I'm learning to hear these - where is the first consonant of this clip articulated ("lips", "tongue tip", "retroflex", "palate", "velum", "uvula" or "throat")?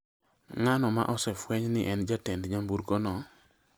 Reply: velum